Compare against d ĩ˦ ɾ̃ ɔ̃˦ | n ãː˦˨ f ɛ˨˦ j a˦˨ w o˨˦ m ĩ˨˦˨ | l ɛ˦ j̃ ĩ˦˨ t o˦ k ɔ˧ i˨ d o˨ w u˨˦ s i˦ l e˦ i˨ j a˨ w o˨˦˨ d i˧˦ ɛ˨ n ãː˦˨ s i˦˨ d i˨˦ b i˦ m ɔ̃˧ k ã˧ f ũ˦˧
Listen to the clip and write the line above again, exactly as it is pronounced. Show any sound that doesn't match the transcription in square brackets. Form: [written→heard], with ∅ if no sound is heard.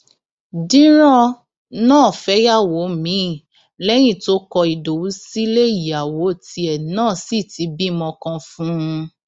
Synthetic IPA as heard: d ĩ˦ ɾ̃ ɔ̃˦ | n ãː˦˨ f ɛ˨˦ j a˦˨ w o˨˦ m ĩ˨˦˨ | l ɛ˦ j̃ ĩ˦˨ t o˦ k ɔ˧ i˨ d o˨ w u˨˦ s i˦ l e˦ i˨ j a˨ w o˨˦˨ [d→t] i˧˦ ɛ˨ n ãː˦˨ s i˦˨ [d→t] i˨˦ b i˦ m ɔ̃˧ k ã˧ f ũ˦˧